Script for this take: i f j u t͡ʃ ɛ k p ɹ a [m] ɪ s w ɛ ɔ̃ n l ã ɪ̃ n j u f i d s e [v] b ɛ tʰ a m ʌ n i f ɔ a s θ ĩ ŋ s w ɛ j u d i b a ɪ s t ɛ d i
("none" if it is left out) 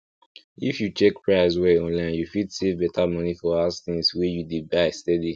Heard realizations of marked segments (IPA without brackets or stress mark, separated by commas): none, v